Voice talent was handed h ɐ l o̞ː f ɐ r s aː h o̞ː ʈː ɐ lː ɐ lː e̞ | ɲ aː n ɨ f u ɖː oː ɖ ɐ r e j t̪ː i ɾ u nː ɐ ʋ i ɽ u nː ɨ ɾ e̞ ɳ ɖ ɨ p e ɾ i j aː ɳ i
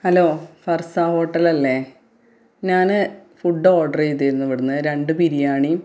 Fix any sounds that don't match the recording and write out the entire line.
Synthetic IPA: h ɐ l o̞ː f ɐ r s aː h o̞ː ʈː ɐ l ɐ lː e̞ | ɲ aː n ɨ f u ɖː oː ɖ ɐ r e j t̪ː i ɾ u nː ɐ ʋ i ɽ u nː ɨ ɾ e̞ ɳ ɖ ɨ p i ɾ i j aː ɳ i

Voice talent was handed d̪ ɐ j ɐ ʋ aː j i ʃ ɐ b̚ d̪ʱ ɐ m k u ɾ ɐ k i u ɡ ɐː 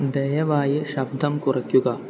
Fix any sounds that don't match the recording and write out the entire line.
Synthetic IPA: d̪ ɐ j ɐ ʋ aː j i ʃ ɐ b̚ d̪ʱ ɐ m k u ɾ ɐ k j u ɡ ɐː

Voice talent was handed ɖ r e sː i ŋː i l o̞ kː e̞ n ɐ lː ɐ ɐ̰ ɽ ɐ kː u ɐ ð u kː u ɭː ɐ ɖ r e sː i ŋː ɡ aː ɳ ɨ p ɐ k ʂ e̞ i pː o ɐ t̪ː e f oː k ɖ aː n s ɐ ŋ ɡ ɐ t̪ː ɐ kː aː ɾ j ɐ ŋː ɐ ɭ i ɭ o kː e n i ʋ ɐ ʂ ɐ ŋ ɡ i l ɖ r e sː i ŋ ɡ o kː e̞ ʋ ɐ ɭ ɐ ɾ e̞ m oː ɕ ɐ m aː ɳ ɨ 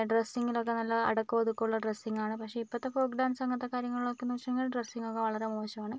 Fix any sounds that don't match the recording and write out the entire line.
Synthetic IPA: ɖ r e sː i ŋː i l o̞ kː e̞ n ɐ lː ɐ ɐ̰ ɽ ɐ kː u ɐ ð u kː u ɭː ɐ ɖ r e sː i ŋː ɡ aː ɳ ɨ p ɐ k ʂ e̞ i pː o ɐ t̪ː e f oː k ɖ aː n s ɐ ŋ ɡ ɐ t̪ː ɐ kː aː ɾ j ɐ ŋː ɐ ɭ i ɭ o kː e n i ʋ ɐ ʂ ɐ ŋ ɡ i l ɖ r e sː i ŋ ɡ o kː e̞ ʋ ɐ ɭ ɐ ɾ e̞ m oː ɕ ɐ m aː ɳ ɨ

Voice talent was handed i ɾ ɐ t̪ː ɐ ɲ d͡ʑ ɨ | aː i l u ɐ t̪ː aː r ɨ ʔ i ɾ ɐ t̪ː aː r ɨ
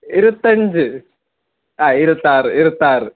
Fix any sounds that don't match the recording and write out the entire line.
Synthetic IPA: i ɾ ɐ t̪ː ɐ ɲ d͡ʑ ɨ | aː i ɾ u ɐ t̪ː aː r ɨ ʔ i ɾ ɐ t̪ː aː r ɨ

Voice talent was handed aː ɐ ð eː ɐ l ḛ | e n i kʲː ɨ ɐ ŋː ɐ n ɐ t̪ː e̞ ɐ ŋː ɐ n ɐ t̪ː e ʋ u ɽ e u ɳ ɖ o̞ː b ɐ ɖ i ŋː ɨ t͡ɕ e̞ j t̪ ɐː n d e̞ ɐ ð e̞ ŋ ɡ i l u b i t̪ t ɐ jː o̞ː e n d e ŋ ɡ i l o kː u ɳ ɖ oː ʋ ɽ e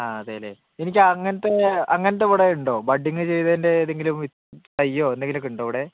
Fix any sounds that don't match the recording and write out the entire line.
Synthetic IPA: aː ɐ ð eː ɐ l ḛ | e n i kʲː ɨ ɐ ŋː ɐ n ɐ t̪ː e̞ ɐ ŋː ɐ n ɐ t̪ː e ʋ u ɽ e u ɳ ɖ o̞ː b ɐ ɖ i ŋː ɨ t͡ɕ e̞ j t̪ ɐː n d e̞ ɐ ð e̞ ŋ ɡ i l u m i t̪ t ɐ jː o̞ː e n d e ŋ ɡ i l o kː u ɳ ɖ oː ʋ ɽ e

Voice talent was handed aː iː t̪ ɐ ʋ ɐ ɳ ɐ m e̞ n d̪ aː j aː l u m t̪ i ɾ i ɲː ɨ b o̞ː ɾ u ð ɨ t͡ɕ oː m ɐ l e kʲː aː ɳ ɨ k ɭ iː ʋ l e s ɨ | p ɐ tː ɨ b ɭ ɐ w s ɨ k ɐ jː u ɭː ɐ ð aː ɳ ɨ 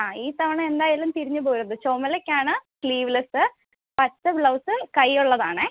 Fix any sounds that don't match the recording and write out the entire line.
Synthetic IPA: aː iː t̪ ɐ ʋ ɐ ɳ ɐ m e̞ n d̪ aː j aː l u m t̪ i ɾ i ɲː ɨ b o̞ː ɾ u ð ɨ t͡ɕ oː m ɐ l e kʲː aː ɳ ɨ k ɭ iː ʋ l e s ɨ | p ɐ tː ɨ b ɭ ɐ w s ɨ k ɐ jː u ɭː ɐ ð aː ɳ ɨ

